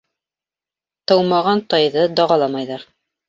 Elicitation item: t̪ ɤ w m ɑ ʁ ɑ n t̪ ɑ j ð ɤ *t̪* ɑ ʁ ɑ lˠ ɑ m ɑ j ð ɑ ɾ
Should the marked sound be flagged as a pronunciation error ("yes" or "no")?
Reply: yes